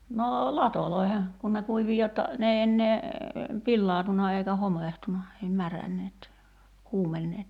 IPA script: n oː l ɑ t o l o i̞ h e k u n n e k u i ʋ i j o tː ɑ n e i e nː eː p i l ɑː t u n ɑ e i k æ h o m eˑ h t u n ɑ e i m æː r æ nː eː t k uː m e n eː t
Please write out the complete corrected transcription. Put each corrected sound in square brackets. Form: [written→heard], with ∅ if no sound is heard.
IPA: n oː l ɑ t o l o i̞ h e k u n n e k u i ʋ i j o tː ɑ n e i e nː eː p i [l→lː] ɑː t u n ɑ e i k æ h o m eˑ h t u n ɑ e i m [æː→æ] r æ nː eː t k uː m e [n→nː] eː t